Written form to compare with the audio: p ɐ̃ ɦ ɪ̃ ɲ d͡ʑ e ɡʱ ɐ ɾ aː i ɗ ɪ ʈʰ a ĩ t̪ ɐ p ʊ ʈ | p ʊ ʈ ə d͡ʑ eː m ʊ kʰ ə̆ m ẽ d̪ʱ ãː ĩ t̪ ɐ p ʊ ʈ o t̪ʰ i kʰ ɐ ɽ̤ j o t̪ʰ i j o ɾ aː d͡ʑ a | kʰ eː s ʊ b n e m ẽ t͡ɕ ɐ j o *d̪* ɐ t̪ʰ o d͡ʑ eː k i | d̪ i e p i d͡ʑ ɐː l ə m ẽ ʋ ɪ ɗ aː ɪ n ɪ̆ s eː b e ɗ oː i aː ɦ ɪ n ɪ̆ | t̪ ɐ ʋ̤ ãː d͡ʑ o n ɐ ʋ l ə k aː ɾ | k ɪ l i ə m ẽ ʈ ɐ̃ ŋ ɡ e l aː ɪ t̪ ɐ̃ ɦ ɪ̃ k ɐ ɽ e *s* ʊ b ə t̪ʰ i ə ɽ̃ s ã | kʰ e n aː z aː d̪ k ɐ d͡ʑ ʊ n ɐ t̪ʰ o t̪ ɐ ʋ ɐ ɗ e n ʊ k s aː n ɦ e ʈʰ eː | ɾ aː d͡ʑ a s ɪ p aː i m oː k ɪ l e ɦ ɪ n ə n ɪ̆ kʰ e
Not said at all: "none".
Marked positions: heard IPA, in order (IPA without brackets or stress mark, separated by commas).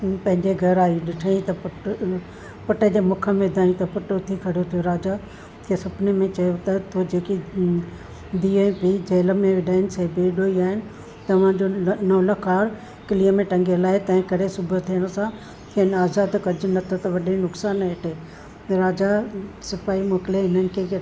t̪, s